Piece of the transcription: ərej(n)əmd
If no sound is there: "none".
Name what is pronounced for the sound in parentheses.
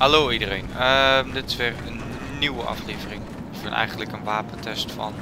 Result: n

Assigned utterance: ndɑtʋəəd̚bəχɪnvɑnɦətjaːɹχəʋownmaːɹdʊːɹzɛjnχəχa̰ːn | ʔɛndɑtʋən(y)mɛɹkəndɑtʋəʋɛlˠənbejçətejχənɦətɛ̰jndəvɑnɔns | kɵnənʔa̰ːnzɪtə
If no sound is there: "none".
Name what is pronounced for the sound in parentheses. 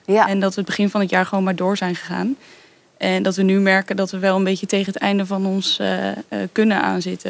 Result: y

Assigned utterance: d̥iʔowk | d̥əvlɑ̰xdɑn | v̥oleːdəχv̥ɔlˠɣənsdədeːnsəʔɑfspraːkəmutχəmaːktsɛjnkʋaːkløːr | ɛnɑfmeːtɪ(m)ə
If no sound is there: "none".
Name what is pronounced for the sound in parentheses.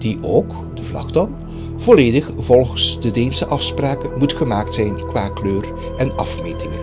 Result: ŋ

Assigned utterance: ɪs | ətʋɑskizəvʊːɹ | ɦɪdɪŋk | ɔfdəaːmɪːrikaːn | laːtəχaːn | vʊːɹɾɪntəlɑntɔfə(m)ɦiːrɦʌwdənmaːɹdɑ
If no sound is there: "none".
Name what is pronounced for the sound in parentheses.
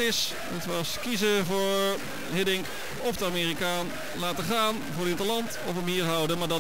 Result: m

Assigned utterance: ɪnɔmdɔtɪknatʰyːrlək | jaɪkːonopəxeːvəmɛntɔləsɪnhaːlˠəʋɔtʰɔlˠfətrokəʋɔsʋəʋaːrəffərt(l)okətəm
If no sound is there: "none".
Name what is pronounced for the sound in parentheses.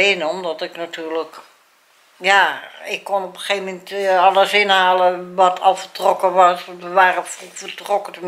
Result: r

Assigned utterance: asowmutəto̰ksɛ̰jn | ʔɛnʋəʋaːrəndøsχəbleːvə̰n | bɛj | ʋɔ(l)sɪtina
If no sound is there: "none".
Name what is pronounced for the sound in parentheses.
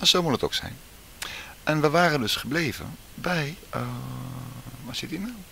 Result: none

